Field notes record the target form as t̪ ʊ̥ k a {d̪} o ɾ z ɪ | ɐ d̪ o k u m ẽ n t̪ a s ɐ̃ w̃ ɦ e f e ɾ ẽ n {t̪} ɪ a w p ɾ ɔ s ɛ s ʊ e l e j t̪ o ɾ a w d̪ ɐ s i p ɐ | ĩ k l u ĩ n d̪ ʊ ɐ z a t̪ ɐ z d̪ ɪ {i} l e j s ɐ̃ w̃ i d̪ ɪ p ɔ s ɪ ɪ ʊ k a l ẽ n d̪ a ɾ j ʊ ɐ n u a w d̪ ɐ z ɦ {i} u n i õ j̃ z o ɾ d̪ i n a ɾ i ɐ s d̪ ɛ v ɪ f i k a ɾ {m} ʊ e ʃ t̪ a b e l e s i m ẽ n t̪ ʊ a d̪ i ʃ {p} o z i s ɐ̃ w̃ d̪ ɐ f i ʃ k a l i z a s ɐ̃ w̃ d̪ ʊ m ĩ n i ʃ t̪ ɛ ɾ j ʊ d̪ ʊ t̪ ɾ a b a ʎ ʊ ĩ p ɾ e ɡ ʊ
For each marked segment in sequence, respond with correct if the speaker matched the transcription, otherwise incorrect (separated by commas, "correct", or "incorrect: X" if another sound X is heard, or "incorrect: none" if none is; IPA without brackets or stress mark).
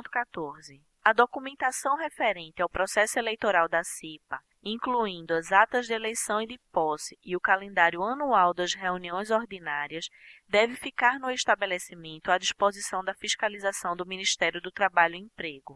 incorrect: t̪, correct, incorrect: e, incorrect: e, incorrect: n, correct